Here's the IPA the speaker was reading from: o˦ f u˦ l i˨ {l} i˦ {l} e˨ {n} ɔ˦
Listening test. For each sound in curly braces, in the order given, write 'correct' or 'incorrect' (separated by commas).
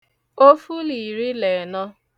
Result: incorrect, correct, correct